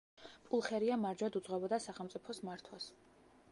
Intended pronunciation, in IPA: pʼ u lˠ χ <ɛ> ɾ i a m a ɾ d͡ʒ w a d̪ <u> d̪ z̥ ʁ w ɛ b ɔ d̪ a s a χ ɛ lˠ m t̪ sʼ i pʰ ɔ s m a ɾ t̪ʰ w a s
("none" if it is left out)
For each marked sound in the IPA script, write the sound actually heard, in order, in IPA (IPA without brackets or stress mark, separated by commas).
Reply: ɛ, u